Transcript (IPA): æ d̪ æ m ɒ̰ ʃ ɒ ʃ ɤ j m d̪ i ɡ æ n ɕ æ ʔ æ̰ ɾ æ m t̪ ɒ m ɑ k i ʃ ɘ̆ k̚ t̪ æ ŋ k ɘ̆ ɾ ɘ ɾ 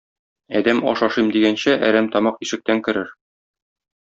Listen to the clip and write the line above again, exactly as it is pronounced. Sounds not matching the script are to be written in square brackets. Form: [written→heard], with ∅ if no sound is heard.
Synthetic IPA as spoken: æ d̪ æ m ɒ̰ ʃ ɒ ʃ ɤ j m d̪ i ɡ æ n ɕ æ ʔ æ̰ ɾ æ m t̪ ɒ m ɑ [k→q] i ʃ ɘ̆ k̚ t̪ æ ŋ k ɘ̆ ɾ ɘ ɾ